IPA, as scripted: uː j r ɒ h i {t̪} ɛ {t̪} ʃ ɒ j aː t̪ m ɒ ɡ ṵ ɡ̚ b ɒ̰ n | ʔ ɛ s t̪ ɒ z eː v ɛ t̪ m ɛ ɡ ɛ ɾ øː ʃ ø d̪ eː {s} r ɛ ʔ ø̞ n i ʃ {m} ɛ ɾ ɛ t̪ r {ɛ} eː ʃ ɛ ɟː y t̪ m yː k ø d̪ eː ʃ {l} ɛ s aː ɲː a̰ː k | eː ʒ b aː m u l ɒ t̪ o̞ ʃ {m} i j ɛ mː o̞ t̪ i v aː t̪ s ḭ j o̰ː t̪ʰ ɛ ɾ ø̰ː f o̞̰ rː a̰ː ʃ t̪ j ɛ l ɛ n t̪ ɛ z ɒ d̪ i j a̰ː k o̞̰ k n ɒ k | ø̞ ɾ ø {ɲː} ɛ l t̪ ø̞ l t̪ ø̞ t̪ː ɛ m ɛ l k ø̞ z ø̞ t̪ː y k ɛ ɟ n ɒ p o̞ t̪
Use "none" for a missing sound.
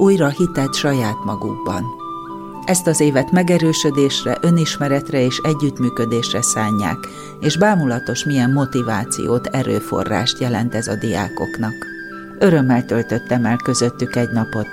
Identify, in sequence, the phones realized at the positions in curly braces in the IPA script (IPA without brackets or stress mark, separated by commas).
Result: t̪, t̪, ʃ, m, ɛ, r, m, mː